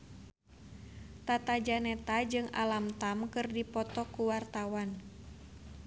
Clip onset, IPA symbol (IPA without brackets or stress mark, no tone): t̪